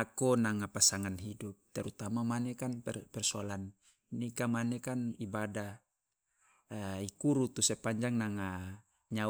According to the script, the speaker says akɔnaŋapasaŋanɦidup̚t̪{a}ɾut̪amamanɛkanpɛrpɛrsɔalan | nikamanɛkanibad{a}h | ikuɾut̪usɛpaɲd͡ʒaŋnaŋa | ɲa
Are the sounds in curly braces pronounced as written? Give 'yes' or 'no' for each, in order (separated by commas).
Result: no, yes